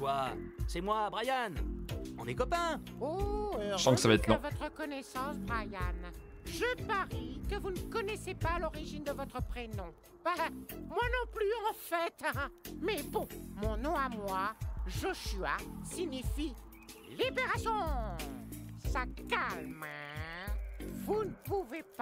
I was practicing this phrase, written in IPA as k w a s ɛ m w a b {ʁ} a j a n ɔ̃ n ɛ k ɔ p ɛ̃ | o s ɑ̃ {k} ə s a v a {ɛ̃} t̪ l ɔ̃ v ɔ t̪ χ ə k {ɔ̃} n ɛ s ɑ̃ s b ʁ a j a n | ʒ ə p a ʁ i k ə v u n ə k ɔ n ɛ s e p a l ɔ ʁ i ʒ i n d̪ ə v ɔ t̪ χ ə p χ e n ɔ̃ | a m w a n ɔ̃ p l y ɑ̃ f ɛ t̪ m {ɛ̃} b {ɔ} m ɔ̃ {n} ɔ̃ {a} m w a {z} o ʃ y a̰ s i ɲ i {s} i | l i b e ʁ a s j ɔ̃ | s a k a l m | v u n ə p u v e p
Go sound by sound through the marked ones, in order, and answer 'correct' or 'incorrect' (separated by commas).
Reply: correct, correct, incorrect, incorrect, incorrect, incorrect, correct, correct, incorrect, incorrect